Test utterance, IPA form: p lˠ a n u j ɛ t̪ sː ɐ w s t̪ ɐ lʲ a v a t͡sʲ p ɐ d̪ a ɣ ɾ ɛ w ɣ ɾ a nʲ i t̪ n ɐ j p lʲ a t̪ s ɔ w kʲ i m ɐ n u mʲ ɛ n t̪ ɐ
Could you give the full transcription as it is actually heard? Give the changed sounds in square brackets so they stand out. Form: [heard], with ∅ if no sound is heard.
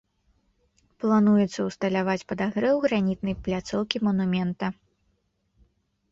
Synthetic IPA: p lˠ a n u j ɛ t̪ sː ɐ w s t̪ ɐ lʲ a v a t͡sʲ p ɐ d̪ a ɣ ɾ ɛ w ɣ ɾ a nʲ i t̪ n ɐ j p lʲ a t̪ s ɔ w kʲ i m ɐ n u mʲ ɛ n t̪ ɐ

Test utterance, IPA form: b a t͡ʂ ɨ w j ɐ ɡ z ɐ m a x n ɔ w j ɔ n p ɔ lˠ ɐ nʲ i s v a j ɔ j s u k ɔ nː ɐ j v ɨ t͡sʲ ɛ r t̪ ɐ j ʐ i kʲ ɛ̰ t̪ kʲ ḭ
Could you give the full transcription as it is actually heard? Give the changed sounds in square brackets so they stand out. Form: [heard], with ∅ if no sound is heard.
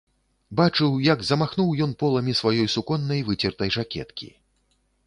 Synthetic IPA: b a t͡ʂ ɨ w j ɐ ɡ z ɐ m a x n [u] w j ɔ n p ɔ lˠ ɐ [mʲ] i s v a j ɔ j s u k ɔ nː ɐ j v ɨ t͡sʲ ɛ r t̪ ɐ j ʐ [a] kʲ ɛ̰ t̪ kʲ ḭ

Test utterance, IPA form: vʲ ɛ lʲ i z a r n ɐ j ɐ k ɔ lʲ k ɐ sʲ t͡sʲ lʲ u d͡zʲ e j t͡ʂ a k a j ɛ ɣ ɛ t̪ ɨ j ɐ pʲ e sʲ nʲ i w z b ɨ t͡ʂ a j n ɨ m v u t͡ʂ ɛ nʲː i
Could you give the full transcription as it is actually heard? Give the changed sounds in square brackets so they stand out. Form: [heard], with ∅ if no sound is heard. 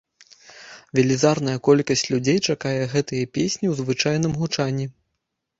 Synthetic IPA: vʲ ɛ lʲ i z a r n ɐ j ɐ k ɔ lʲ k ɐ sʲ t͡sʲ lʲ u d͡zʲ e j t͡ʂ a k a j ɛ ɣ ɛ t̪ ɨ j ɐ pʲ e sʲ nʲ i w z [v] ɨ t͡ʂ a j n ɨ m [ɣ] u t͡ʂ [a] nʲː i

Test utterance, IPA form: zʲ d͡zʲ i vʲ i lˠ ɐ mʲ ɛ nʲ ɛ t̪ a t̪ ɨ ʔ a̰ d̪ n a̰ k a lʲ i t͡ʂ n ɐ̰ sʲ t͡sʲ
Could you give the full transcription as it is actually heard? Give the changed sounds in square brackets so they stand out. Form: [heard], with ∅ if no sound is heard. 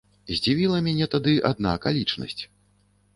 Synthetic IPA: zʲ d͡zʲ i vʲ i lˠ ɐ mʲ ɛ nʲ ɛ t̪ a [d̪] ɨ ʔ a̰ d̪ n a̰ k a lʲ i t͡ʂ n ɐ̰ sʲ t͡sʲ

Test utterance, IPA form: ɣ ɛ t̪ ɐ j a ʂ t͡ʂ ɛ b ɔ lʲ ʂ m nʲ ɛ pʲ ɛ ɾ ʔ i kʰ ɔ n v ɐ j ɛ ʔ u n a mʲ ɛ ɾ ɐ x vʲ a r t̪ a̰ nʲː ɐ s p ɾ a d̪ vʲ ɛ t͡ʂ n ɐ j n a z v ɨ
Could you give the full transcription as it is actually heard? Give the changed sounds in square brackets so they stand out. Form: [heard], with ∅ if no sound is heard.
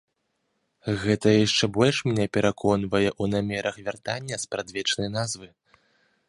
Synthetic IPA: ɣ ɛ t̪ ɐ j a ʂ t͡ʂ ɛ b ɔ lʲ ʂ m nʲ ɛ pʲ ɛ ɾ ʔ [a] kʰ ɔ n v ɐ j ɛ ʔ u n a mʲ ɛ ɾ ɐ x vʲ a r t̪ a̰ nʲː ɐ s p ɾ a d̪ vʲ ɛ t͡ʂ n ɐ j n a z v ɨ

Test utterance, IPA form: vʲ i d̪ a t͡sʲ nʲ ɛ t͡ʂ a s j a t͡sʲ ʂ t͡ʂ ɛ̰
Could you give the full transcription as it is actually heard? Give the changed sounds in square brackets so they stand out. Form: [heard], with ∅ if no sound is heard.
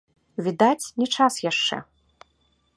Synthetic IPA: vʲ i d̪ a t͡sʲ nʲ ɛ t͡ʂ a s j a [∅] ʂ t͡ʂ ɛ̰

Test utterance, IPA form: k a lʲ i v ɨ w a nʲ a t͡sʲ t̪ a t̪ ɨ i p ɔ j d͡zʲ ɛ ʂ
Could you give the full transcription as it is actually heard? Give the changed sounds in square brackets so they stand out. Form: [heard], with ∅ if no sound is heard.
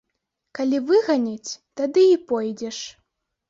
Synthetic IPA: k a lʲ i v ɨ [ɣ] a nʲ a t͡sʲ t̪ a [d̪] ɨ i p ɔ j d͡zʲ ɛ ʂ

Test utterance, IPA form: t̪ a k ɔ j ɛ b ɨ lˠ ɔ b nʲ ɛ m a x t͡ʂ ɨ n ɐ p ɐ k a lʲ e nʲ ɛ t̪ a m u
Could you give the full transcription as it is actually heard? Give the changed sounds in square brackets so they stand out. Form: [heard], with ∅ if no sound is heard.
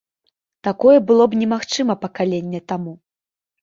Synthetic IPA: t̪ a k ɔ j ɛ b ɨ lˠ ɔ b nʲ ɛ m a x t͡ʂ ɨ [m] ɐ p ɐ k a lʲ e [nʲː] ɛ t̪ a m u

